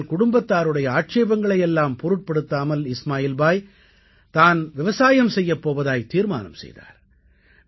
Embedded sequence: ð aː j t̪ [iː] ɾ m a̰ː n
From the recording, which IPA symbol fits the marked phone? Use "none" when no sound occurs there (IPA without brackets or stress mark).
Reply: iː